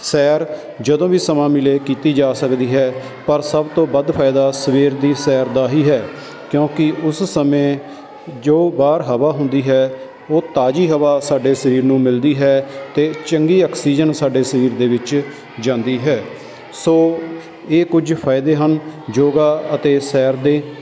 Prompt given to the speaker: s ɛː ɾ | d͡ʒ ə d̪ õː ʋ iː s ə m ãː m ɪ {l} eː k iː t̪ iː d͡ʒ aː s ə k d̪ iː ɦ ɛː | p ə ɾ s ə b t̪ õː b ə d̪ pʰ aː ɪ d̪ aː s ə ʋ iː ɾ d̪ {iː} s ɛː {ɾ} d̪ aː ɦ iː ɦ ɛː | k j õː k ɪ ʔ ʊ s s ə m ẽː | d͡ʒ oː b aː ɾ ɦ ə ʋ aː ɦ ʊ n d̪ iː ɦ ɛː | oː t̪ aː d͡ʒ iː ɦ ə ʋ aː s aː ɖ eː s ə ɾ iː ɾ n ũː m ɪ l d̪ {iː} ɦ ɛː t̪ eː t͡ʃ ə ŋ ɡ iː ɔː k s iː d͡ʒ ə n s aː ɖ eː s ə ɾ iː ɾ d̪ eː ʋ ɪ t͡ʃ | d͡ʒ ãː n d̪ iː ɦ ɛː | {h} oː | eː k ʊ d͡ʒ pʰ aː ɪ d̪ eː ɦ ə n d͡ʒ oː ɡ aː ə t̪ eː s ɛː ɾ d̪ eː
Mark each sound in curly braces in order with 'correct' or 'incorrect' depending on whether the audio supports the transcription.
correct, correct, correct, correct, incorrect

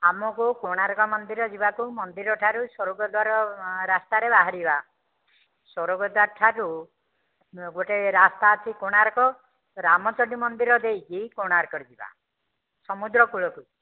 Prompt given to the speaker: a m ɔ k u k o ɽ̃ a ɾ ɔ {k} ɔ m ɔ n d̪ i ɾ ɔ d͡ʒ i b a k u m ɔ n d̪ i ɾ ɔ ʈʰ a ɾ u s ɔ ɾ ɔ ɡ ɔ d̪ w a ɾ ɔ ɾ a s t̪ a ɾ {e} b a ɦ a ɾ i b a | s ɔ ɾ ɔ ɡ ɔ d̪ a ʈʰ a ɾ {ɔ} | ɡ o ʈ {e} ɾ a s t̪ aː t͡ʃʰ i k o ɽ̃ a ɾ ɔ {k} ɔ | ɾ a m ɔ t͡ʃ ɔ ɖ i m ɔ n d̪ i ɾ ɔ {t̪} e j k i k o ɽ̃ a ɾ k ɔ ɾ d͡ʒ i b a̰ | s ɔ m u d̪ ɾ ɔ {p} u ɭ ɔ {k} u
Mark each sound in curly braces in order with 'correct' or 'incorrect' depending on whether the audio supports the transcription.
correct, correct, incorrect, correct, correct, incorrect, incorrect, correct

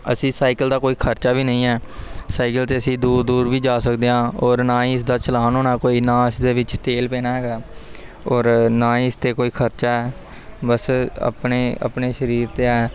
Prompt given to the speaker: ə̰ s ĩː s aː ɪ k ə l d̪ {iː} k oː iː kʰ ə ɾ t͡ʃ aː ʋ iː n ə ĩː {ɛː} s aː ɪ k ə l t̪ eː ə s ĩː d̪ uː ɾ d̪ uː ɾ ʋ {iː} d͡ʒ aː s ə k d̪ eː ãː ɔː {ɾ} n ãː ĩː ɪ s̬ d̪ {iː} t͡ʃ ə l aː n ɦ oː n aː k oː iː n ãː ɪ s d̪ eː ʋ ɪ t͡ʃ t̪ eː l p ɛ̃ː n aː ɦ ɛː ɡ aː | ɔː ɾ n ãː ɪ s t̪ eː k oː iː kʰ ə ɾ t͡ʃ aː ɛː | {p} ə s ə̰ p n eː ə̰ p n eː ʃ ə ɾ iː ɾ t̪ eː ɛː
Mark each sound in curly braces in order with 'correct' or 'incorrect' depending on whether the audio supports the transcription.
incorrect, correct, correct, correct, incorrect, incorrect

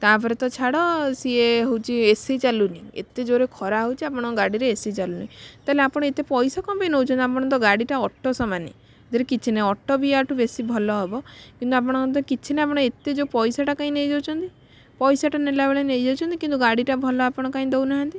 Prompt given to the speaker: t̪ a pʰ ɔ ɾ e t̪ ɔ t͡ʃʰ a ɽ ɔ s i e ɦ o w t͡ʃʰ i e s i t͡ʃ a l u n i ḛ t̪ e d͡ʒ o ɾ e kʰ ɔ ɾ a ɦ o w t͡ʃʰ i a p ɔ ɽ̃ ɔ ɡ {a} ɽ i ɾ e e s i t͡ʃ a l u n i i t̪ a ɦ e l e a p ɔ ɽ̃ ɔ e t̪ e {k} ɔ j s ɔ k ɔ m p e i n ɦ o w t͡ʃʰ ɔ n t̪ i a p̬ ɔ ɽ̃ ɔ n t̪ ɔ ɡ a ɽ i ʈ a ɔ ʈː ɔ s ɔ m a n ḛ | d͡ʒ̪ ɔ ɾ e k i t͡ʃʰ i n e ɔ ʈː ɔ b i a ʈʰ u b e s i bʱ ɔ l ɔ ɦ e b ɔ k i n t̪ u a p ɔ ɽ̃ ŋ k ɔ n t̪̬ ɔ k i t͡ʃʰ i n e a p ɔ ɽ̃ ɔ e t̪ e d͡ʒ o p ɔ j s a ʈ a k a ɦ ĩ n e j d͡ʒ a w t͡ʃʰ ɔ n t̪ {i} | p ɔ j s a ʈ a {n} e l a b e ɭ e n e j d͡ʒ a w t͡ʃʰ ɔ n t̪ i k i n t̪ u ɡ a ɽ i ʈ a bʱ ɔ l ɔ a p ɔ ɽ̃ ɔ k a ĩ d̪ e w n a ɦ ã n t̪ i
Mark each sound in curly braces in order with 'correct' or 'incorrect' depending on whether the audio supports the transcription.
correct, incorrect, correct, correct

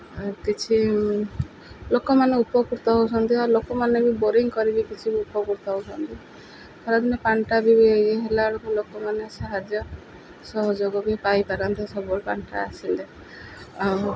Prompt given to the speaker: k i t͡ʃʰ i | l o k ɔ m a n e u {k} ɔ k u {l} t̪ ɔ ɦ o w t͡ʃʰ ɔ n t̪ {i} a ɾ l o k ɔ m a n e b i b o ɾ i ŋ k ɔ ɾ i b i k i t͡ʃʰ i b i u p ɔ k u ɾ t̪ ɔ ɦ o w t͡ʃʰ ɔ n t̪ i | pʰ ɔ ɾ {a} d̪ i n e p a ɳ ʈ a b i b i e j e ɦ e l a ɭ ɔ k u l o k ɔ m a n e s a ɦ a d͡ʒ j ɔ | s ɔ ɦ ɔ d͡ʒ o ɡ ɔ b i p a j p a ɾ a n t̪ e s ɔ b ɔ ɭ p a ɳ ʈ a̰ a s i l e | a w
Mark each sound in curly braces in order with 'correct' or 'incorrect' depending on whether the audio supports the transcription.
incorrect, incorrect, correct, correct

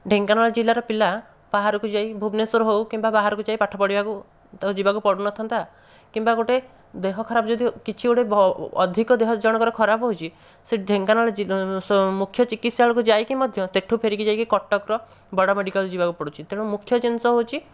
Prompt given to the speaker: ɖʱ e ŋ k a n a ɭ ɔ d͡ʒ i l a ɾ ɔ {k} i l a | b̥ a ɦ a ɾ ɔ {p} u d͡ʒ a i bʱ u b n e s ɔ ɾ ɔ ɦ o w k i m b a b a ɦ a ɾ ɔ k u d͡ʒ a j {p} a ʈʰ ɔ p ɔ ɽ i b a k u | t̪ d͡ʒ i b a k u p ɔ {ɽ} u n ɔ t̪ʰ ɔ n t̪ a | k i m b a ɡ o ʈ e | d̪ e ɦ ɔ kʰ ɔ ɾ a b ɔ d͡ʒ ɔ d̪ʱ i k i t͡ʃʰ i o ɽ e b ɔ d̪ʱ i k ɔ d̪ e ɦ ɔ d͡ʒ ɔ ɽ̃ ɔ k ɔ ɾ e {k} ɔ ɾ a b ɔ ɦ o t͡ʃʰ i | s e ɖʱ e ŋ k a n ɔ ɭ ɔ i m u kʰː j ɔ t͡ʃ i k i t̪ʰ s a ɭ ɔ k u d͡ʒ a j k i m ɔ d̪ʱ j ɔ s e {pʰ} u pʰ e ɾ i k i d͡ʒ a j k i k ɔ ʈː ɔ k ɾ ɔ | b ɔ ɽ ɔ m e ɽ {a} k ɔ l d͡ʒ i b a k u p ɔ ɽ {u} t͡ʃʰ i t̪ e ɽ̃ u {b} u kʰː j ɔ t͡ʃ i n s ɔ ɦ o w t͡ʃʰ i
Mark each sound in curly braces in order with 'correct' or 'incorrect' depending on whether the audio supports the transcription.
incorrect, incorrect, correct, correct, incorrect, incorrect, incorrect, correct, incorrect

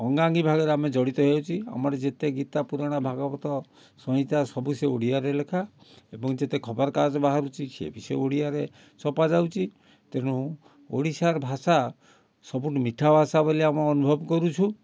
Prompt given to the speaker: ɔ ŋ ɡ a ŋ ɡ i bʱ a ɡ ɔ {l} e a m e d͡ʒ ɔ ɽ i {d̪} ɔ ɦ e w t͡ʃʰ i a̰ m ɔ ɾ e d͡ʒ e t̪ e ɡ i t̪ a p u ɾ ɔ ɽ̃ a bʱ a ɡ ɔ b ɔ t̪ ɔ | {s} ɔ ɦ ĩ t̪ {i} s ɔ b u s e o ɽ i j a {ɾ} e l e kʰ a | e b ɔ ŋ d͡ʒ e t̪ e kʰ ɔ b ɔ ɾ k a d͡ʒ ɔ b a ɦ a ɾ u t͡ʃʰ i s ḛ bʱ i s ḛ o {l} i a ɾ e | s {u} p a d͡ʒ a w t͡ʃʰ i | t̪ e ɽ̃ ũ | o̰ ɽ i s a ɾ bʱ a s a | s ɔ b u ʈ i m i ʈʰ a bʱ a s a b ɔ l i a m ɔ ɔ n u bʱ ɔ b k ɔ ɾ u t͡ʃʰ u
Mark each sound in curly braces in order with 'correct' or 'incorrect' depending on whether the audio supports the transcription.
incorrect, incorrect, correct, incorrect, correct, incorrect, incorrect

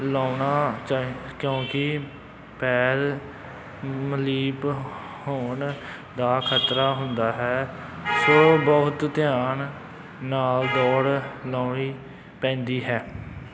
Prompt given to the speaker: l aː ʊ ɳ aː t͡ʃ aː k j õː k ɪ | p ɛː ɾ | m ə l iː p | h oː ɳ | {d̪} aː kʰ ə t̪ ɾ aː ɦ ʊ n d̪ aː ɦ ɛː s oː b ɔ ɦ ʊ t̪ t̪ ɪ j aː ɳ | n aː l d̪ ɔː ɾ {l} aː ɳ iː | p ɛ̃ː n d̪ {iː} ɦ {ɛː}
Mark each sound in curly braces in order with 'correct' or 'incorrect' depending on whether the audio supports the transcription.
correct, correct, correct, correct

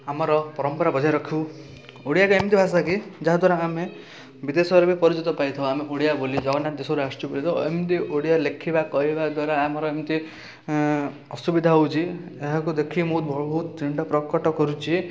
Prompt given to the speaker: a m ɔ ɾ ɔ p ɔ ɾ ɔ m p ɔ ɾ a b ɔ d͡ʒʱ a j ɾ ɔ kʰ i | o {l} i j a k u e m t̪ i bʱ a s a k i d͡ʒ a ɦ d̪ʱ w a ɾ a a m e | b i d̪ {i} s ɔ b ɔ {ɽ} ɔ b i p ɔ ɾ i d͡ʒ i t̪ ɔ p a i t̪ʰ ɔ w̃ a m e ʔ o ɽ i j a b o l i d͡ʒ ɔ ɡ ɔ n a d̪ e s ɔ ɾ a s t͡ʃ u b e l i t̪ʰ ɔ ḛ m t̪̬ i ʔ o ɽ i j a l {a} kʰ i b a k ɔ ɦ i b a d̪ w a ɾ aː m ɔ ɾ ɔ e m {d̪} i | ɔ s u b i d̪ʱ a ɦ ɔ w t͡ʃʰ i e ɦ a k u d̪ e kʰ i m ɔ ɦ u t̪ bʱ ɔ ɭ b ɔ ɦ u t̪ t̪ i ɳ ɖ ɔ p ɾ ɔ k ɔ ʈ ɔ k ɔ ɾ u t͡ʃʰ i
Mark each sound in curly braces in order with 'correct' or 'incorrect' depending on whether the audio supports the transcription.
incorrect, incorrect, incorrect, incorrect, incorrect

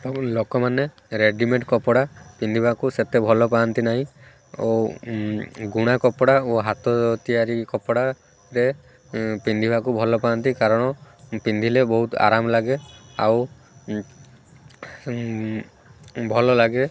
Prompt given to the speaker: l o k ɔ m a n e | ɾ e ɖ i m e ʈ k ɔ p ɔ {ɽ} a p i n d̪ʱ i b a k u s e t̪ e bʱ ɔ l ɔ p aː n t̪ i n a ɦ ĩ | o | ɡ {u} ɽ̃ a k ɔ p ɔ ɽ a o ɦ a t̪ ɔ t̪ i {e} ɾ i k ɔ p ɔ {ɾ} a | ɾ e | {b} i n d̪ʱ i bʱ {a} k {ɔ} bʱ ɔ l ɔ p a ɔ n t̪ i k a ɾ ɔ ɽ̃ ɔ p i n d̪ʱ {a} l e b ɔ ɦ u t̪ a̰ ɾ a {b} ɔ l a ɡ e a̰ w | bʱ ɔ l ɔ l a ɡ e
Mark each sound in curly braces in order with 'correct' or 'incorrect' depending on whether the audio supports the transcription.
correct, correct, incorrect, incorrect, incorrect, correct, incorrect, incorrect, incorrect

